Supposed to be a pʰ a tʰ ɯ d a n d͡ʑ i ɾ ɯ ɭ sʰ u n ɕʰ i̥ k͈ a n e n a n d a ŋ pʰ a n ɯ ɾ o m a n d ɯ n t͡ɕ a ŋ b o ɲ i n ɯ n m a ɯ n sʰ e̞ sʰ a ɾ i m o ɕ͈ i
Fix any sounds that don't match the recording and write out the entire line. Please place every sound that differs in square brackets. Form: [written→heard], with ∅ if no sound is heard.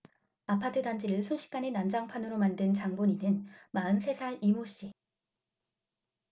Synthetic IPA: a pʰ a tʰ ɯ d a n d͡ʑ i ɾ ɯ ɭ sʰ u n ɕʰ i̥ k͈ a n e n a n [d→d͡ʑ] a ŋ pʰ a n ɯ ɾ o m a n d ɯ n t͡ɕ a ŋ b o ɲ i n ɯ n m a ɯ n sʰ e̞ sʰ a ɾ i m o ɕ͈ i